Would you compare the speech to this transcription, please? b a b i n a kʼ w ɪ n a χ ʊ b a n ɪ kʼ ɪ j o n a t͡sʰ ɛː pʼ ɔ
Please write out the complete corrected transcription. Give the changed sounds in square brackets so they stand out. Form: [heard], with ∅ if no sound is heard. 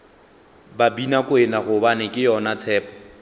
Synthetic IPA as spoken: b a b i n a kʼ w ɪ n a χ ʊ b a n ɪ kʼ ɪ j [ɔ] n a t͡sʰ ɛː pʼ ɔ